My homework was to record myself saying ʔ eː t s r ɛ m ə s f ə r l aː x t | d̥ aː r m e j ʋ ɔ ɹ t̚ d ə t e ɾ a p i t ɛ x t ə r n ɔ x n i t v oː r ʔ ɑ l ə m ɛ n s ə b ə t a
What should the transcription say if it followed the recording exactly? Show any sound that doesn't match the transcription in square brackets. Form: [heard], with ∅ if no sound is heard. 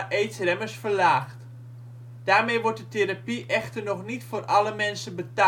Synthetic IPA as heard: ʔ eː t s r ɛ m ə s f ə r l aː x t | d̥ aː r m e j ʋ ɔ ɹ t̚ d ə t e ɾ a p i [ʔ] ɛ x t ə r n ɔ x n i t [f] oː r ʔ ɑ l ə m ɛ n s ə b ə t a